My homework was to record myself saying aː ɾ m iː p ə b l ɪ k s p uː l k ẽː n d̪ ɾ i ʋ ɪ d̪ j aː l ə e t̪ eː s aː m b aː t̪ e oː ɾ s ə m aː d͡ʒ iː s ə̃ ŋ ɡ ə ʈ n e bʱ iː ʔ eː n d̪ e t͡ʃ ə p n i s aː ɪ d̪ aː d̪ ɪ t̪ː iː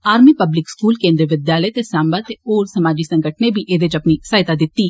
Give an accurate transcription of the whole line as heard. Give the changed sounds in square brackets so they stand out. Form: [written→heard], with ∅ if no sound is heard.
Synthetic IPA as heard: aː ɾ m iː p ə b l ɪ k s [p→k] uː l k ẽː n d̪ ɾ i ʋ ɪ d̪ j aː l ə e t̪ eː s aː m b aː t̪ e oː ɾ s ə m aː d͡ʒ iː s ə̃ ŋ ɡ ə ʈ n e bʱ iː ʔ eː [n→∅] d̪ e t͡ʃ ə p n i s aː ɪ [d̪→t̪] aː d̪ ɪ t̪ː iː